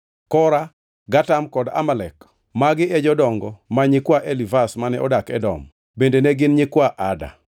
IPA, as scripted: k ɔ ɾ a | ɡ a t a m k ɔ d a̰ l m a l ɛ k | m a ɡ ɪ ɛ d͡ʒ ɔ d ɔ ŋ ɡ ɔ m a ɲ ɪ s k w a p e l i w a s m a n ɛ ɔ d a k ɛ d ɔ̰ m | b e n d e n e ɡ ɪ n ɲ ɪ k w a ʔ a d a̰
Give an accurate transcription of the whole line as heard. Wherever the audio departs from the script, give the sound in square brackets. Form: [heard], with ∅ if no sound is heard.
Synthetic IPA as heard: k ɔ ɾ a | ɡ a t a m k ɔ d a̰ [∅] m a l ɛ k | m a ɡ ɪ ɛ d͡ʒ ɔ d ɔ ŋ ɡ ɔ m a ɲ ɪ [∅] k w a [ʔ] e l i [v] a s m a n ɛ ɔ d a k ɛ d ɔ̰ m | b e n d e n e ɡ ɪ n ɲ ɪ k w a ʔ a d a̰

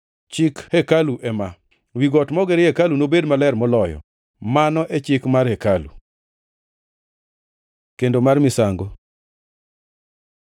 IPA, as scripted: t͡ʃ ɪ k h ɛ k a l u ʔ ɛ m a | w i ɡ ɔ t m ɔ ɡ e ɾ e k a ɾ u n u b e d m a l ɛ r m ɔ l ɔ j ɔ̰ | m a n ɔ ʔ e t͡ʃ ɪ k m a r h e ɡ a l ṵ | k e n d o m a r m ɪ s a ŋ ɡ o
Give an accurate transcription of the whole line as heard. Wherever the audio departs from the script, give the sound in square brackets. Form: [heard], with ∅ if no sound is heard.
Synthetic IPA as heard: t͡ʃ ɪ k h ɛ k a l u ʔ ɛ m a | w i ɡ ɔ t m ɔ ɡ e ɾ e k a [l] u n [o] b e d m a l ɛ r m ɔ l ɔ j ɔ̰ | m a n ɔ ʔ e t͡ʃ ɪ k m a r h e [k] a l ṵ | k e n d o m a r m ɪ s a ŋ ɡ o

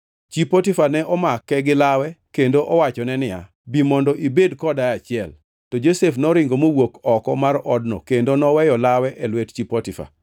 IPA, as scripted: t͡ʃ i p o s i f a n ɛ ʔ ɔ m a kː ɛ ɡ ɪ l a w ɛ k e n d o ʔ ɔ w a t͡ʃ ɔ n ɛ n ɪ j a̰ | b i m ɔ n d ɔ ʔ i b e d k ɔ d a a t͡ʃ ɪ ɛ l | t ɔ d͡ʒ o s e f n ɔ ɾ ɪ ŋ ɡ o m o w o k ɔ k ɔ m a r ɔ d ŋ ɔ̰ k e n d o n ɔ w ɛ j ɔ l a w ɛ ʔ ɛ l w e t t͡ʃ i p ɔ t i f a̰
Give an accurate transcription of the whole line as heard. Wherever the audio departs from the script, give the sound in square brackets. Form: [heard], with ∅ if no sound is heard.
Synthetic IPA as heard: t͡ʃ i p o [t] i f a n ɛ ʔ ɔ m a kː ɛ ɡ ɪ l a w ɛ k e n d o ʔ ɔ w a t͡ʃ ɔ n ɛ n ɪ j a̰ | b i m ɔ n d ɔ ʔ i b e d k ɔ d a a t͡ʃ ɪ ɛ l | t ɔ d͡ʒ o s e f n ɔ ɾ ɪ ŋ ɡ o m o w o k ɔ k ɔ m a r ɔ d [n] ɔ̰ k e n d o n ɔ w ɛ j ɔ l a w ɛ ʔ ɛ l w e t t͡ʃ i p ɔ t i f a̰

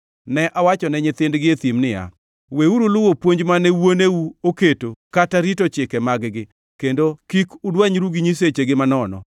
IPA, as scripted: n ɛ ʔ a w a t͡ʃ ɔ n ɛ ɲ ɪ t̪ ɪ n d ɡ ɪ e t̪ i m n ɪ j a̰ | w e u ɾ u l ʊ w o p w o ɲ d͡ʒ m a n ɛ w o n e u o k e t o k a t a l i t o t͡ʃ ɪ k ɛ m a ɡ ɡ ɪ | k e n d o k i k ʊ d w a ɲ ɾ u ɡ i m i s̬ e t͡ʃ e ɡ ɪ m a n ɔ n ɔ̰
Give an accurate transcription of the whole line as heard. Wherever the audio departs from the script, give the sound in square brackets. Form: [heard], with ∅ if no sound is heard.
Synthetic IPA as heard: n ɛ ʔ a w a t͡ʃ ɔ n ɛ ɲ ɪ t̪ ɪ n d ɡ ɪ e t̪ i m n ɪ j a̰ | w e u ɾ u l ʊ w o p w o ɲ d͡ʒ m a n ɛ w o n e u o k e t o k a t a [ɾ] i t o t͡ʃ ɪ k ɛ m a ɡ ɡ ɪ | k e n d o k i k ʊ d w a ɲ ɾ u ɡ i [ɲ] i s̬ e t͡ʃ e ɡ ɪ m a n ɔ n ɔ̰

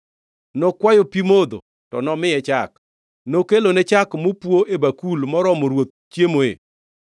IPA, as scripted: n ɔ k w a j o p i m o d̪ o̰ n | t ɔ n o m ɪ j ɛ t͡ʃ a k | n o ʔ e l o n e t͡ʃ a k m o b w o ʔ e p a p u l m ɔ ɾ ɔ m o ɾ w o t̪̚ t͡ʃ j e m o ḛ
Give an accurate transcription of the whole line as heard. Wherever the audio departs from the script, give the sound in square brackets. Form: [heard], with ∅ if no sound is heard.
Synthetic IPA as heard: n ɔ k w a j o p i m o d̪ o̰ [∅] | t ɔ n [ɔ] m ɪ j ɛ t͡ʃ a k | n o [k] e l o n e t͡ʃ a k m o [p] w o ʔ e [b] a [k] u l m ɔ ɾ ɔ m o ɾ w o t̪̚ t͡ʃ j e m o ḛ

